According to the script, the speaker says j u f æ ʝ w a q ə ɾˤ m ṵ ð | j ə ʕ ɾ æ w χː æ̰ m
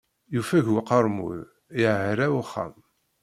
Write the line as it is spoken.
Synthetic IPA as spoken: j u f æ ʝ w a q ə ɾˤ m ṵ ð | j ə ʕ ɾ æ w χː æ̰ m

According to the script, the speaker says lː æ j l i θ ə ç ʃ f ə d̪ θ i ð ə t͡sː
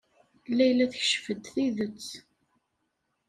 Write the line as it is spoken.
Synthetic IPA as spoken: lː æ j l æ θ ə ç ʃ f ə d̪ θ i ð ə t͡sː

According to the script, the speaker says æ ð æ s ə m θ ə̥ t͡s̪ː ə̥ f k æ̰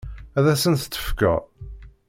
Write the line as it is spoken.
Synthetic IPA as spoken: æ ð æ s ə n θ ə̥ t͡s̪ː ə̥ f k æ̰

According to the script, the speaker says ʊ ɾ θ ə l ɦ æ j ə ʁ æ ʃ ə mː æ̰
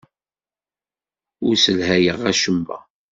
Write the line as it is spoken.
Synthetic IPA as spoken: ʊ ɾ s ə l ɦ æ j ə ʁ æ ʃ ə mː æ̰

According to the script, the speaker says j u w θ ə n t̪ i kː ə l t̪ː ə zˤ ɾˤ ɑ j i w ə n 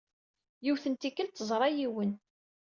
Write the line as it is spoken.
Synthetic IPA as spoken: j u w θ ə n t̪ i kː ə l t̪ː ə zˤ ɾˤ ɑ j i w ə n

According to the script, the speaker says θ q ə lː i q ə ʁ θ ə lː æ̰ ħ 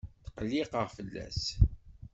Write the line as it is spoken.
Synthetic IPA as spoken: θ q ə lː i q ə ʁ f ə lː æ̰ s

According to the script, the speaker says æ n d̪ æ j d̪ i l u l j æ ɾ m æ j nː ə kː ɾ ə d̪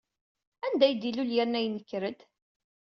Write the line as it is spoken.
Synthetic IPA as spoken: æ n d̪ æ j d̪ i l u l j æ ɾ n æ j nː ə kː ɾ ə d̪

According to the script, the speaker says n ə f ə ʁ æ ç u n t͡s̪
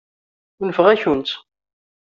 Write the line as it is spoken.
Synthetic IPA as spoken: n ə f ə ʁ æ ç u n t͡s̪

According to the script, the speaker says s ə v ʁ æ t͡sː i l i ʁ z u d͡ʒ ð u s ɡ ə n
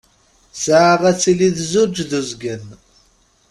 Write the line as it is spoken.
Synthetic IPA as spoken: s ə ʕ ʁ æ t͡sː i l i ð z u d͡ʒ ð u z ɡ ə n

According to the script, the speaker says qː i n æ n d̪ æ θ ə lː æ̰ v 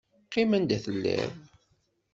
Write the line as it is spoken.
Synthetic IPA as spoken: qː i m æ n d̪ æ θ ə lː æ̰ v

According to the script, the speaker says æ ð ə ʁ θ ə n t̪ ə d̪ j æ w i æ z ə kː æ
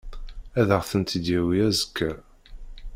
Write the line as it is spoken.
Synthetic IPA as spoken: æ ð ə ʁ θ ə n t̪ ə d̪ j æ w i æ z ə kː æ

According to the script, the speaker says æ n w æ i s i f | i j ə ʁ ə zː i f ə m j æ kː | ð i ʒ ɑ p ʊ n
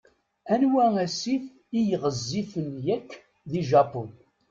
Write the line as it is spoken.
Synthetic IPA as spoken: æ n w æ æ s i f | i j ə ʁ ə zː i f ə n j æ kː | ð i ʒ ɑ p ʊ n

